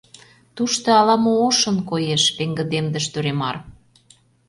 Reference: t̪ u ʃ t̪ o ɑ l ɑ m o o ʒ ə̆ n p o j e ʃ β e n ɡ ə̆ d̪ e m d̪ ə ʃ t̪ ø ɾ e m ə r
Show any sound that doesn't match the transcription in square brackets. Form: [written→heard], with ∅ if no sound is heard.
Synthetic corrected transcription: t̪ u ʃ t̪ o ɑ l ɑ m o o [ʒ→ʃ] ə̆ n [p→k] o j e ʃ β e [n→ŋ] ɡ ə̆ d̪ e m d̪ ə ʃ t̪ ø ɾ e m [ə→ɑ] r